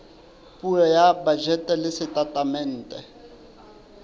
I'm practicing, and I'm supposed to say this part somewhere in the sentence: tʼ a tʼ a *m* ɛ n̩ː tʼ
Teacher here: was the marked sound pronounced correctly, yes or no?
yes